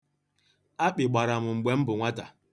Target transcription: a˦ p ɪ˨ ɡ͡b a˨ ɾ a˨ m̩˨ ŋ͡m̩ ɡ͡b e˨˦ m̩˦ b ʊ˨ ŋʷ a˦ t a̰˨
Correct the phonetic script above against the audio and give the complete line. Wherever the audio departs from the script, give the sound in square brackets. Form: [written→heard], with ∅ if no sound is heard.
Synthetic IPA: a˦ [p→k͡p] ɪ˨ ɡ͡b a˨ ɾ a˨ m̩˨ ŋ͡m̩ ɡ͡b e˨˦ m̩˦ b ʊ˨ ŋʷ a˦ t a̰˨